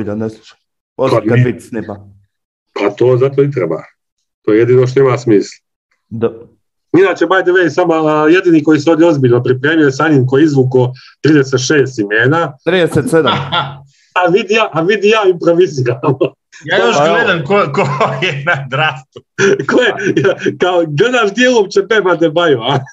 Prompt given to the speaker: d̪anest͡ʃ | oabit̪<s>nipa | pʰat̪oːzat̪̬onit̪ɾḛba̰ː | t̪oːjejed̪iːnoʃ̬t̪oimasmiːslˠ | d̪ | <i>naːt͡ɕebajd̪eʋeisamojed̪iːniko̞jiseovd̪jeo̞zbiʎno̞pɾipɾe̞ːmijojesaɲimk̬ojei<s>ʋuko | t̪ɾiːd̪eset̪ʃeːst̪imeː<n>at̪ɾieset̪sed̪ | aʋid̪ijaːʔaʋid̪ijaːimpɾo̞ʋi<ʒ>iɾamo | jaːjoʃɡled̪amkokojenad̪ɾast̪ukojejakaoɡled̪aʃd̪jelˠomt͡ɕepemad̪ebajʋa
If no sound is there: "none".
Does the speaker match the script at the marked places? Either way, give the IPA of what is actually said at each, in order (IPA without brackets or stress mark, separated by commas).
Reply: s, i, z, n, z